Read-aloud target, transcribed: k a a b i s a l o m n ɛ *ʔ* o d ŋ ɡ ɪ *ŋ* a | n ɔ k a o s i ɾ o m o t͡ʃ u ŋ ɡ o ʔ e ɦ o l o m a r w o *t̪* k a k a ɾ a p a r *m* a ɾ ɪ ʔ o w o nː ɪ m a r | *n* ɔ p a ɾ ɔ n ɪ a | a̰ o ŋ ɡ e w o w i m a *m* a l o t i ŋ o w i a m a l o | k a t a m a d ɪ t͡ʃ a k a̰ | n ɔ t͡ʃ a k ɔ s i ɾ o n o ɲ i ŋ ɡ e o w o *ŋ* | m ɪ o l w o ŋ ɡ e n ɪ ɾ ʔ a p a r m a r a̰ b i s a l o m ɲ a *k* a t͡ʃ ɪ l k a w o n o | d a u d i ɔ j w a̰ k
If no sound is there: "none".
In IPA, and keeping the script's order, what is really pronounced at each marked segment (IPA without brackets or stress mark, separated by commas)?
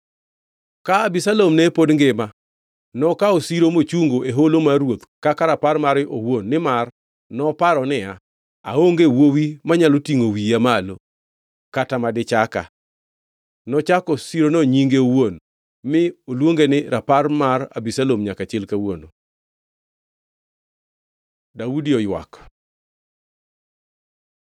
p, m, t̪, m, n, ɲ, n, k